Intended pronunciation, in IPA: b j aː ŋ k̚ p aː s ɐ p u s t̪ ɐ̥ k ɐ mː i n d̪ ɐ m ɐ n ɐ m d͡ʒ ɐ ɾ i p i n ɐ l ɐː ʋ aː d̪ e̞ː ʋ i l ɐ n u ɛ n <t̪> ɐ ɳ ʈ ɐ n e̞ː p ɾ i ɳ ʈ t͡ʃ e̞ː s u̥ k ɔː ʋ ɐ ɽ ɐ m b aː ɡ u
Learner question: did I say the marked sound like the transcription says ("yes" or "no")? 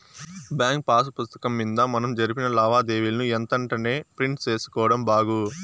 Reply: yes